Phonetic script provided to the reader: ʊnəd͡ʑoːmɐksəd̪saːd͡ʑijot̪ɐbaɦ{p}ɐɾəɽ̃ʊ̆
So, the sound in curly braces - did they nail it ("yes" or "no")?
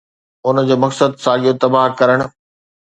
no